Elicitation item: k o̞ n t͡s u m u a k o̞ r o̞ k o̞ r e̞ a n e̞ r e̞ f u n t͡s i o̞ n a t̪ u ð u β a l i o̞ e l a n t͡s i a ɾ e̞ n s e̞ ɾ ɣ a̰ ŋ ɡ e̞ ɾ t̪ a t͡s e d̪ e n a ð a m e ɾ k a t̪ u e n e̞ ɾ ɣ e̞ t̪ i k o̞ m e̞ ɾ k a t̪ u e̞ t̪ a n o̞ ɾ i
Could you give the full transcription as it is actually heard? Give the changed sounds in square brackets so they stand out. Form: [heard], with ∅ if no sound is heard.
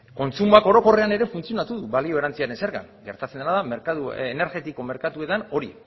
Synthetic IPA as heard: k o̞ n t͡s u m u a k o̞ [ɾ] o̞ k o̞ r e̞ a n e̞ [ɾ] e̞ f u n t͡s i o̞ n a t̪ u ð u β a l i o̞ e [ɾ] a n t͡s i a ɾ e̞ n s e̞ ɾ ɣ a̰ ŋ ɡ e̞ ɾ t̪ a t͡s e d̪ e n a ð a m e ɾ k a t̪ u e n e̞ ɾ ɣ e̞ t̪ i k o̞ m e̞ ɾ k a t̪ u e̞ t̪ a n o̞ ɾ i